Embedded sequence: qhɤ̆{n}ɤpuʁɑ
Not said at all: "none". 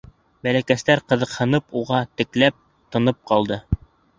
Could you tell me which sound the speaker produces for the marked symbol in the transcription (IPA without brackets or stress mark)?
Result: n